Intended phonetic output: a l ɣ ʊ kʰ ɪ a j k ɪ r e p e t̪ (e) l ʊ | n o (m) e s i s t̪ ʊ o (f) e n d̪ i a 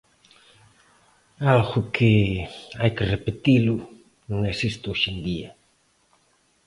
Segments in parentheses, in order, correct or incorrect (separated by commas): incorrect, incorrect, incorrect